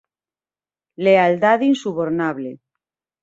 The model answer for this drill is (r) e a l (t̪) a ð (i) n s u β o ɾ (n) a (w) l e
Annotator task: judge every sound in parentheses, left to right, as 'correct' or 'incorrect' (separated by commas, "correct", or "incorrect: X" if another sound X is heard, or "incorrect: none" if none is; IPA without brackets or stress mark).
incorrect: l, incorrect: d̪, correct, correct, incorrect: β